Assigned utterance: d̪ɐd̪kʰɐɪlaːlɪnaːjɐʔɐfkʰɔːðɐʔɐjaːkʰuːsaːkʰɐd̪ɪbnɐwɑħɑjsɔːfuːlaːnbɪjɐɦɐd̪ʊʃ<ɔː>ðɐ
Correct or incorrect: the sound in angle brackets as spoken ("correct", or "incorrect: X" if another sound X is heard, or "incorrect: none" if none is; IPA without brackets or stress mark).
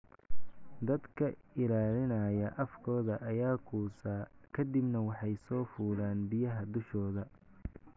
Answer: correct